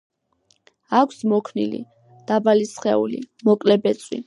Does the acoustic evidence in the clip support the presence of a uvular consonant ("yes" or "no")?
yes